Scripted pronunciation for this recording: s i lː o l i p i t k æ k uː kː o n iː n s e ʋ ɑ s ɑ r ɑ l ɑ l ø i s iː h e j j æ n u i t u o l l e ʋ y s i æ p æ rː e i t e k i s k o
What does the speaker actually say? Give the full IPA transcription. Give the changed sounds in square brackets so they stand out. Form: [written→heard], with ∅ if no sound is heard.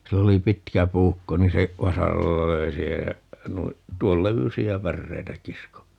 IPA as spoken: s i lː o l i p i t k æ [k→p] uː kː o n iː n s e ʋ ɑ s ɑ r ɑ [l→lː] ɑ l ø i s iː h e j j æ n u i t u o l l e ʋ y s i æ p æ rː e i t [e→æ] k i s k o